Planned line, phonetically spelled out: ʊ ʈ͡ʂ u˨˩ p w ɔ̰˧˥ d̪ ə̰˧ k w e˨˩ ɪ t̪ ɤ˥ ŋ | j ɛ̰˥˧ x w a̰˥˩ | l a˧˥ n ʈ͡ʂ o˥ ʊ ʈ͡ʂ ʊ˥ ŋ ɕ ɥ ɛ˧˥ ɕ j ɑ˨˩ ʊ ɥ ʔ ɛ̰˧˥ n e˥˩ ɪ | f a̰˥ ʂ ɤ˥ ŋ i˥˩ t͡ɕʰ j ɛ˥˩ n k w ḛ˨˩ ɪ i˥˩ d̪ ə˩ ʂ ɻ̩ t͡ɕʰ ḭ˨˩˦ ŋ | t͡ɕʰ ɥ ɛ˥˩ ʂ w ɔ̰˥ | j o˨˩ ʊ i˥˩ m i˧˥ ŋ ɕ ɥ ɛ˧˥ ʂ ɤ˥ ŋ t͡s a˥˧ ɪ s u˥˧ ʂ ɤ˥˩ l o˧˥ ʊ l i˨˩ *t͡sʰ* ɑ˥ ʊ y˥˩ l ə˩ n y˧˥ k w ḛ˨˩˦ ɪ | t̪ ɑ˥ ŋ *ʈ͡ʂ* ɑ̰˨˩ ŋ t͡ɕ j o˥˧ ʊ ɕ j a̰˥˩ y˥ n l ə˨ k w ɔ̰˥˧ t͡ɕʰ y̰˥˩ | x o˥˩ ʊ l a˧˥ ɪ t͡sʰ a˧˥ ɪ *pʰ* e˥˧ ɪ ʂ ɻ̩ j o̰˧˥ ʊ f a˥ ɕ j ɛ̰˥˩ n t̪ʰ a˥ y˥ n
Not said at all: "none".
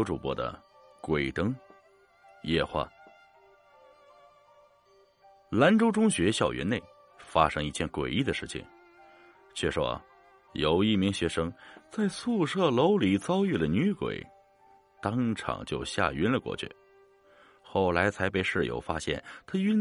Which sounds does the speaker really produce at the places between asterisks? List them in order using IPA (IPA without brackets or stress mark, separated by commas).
t͡s, ʈ͡ʂʰ, p